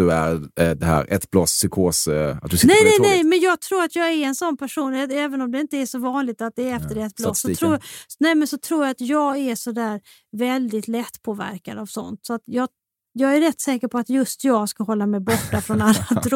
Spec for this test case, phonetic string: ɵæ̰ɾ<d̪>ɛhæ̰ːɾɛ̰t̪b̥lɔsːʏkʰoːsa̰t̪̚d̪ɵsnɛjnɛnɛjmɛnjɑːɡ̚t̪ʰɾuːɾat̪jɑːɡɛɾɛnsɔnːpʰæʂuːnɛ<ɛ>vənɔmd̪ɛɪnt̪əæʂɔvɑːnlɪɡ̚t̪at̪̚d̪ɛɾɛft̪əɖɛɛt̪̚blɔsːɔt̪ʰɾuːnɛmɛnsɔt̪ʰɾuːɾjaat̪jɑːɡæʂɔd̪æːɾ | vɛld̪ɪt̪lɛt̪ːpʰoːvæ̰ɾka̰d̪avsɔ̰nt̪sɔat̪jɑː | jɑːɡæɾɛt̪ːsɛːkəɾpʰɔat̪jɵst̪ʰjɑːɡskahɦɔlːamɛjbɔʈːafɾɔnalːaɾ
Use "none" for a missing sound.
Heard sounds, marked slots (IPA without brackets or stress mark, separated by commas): d̪, ɛː